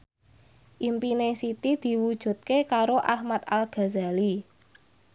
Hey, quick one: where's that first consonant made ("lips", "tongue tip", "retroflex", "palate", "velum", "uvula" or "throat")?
throat